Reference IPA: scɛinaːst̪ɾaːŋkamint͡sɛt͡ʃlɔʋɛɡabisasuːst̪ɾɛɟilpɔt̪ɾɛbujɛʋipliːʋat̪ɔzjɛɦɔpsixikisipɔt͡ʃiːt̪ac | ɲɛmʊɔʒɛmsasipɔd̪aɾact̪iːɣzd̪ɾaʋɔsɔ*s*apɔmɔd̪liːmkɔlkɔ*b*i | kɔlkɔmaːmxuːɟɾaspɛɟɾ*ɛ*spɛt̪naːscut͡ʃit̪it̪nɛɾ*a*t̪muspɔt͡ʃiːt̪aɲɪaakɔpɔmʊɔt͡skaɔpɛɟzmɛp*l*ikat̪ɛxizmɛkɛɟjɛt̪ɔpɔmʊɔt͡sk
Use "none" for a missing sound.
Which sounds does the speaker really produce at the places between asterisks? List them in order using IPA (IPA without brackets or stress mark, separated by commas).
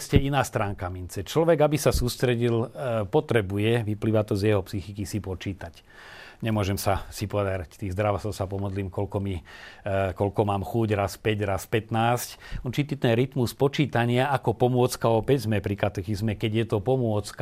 s, m, a, i, ɾ